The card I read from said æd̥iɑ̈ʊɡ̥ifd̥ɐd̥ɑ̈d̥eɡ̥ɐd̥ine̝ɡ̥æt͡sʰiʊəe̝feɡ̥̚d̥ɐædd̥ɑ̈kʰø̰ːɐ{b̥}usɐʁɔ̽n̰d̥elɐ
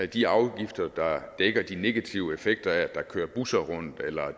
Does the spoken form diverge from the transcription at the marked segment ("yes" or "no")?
no